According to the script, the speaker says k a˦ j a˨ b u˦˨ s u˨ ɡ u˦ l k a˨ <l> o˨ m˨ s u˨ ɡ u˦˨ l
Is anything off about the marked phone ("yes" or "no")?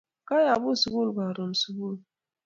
yes